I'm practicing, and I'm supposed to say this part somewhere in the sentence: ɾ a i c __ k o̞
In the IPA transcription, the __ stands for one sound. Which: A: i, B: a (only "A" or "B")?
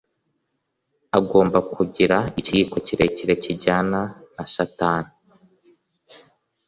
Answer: A